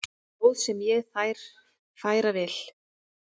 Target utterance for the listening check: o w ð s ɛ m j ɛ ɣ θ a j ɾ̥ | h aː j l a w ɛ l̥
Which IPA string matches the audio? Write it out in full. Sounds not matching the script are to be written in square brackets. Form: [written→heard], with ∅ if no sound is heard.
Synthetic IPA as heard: o w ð s ɛ m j ɛ ɣ θ a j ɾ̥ | [h→f] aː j [l→ɾ] a [w→v] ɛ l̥